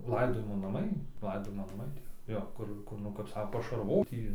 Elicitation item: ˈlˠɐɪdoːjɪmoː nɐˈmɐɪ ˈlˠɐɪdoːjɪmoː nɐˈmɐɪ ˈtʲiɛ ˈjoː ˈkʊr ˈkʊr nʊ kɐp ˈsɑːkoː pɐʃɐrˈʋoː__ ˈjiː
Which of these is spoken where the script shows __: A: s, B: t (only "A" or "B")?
B